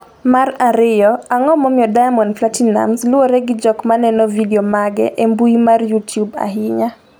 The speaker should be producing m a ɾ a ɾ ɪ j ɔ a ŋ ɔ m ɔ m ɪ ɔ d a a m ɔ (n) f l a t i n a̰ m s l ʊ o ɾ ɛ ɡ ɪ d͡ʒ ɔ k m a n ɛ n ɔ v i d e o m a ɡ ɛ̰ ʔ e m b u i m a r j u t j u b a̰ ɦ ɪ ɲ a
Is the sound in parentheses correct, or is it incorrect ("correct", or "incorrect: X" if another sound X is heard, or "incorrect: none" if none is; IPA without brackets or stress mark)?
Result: correct